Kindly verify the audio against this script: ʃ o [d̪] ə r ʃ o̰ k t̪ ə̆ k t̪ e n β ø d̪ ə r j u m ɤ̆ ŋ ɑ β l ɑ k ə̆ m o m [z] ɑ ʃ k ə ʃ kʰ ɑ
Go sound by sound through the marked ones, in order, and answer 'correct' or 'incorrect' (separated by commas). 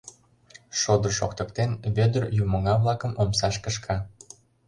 correct, incorrect